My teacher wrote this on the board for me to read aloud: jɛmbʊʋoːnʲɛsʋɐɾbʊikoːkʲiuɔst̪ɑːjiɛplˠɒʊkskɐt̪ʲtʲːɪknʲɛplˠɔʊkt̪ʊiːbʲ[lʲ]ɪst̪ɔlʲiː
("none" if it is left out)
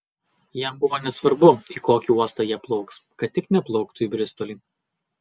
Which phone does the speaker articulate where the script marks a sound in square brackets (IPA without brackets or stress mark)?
ɾʲ